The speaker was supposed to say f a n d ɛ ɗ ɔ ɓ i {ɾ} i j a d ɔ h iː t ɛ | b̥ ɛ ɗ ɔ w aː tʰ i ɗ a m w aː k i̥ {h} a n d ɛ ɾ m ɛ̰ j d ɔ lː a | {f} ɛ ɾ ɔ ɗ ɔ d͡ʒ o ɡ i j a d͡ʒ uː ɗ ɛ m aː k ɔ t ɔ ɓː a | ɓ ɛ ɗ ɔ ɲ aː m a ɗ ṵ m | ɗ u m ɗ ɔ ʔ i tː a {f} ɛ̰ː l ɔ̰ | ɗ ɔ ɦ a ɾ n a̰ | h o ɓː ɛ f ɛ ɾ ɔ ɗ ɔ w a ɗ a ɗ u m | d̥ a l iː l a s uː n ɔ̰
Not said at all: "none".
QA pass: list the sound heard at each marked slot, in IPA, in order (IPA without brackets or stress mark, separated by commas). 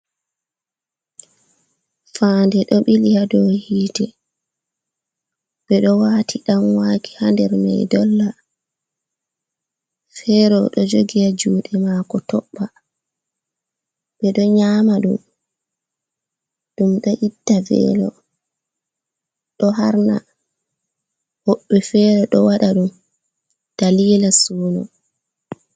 l, h, f, v